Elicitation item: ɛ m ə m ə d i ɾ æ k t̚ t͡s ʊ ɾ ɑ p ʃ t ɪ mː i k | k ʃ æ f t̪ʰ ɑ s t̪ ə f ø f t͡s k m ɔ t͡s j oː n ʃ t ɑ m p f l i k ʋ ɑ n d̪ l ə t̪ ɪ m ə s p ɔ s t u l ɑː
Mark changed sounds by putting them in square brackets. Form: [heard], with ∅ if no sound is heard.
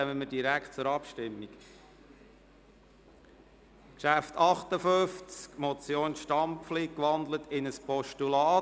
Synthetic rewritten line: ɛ m ə m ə d i ɾ æ k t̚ t͡s ʊ ɾ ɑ p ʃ t ɪ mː i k | k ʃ æ f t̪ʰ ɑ [χ] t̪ ə f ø f t͡s k m ɔ t͡s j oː n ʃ t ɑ m p f l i k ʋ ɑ n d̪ l ə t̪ ɪ [n] ə s p ɔ [ʃ] t u l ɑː